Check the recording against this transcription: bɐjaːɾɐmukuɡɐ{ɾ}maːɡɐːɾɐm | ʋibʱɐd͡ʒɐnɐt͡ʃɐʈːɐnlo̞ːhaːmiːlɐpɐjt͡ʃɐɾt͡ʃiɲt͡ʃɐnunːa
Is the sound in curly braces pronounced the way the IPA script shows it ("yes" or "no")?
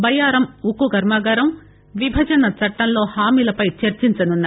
yes